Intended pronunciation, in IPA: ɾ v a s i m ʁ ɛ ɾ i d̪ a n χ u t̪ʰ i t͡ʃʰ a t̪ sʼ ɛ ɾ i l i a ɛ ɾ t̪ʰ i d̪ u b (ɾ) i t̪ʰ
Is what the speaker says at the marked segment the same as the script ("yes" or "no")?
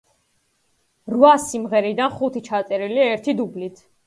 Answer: no